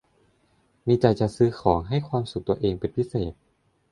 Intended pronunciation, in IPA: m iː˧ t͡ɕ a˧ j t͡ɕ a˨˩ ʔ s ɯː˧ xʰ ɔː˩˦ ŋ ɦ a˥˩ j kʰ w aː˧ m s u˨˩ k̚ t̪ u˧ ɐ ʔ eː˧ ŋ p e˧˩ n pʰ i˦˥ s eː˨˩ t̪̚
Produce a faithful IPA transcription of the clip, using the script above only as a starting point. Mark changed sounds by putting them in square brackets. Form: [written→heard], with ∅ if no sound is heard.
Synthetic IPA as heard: m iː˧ t͡ɕ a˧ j t͡ɕ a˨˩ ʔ s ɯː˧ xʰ ɔː˩˦ ŋ ɦ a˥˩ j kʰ w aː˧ m s u˨˩ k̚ t̪ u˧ ɐ ʔ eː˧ ŋ p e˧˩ n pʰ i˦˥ s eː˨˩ t̪̚